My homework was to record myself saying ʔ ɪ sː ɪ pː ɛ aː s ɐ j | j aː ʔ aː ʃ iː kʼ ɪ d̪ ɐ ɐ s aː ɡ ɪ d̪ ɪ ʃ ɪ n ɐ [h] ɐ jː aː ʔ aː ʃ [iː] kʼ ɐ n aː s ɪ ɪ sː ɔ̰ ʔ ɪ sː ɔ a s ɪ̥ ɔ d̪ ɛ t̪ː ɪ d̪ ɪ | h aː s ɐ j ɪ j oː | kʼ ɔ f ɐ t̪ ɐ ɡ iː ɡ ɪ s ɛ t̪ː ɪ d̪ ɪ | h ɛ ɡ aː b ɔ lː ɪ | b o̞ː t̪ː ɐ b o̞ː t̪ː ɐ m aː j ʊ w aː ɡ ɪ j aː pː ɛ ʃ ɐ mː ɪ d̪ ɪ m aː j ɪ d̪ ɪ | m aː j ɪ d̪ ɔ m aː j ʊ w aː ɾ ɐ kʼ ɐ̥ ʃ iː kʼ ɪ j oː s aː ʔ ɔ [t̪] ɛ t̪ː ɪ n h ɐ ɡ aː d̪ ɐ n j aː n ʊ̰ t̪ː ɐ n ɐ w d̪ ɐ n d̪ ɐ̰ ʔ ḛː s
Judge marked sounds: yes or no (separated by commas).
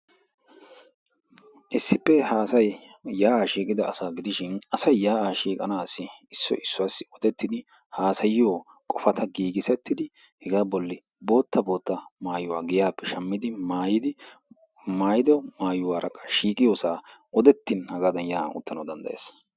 no, yes, no